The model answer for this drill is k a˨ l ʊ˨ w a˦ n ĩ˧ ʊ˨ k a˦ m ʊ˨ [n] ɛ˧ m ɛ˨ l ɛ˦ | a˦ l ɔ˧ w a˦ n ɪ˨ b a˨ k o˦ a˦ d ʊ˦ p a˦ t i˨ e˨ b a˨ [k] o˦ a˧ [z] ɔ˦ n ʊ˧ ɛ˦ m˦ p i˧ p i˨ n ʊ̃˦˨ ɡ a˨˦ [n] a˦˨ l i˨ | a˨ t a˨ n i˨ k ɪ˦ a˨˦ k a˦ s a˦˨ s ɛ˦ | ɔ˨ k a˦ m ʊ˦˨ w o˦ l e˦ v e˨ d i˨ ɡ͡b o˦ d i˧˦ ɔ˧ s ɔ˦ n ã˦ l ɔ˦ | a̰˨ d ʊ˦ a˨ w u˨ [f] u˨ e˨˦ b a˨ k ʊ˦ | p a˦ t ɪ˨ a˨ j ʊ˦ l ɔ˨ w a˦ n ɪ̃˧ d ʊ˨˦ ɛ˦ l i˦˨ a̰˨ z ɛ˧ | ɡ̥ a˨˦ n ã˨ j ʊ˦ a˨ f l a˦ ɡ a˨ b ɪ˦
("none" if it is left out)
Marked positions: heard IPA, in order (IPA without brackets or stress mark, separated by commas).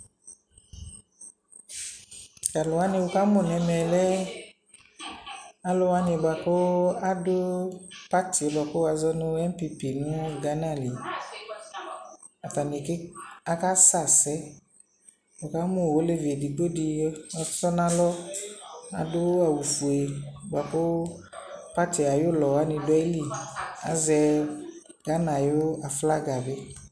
n, k, z, n, f